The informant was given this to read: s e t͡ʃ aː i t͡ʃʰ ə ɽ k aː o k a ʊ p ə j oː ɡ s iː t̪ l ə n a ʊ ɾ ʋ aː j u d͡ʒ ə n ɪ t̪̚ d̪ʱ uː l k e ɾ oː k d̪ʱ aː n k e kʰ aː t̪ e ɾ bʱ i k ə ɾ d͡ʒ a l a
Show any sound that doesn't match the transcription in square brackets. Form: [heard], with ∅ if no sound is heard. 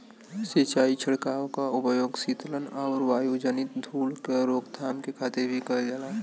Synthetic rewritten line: s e t͡ʃ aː i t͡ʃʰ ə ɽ k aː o k a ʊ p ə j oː ɡ s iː t̪ l ə n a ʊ ɾ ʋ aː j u d͡ʒ ə n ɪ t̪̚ d̪ʱ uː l k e ɾ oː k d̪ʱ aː [m] k e kʰ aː t̪ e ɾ bʱ i k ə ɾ d͡ʒ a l a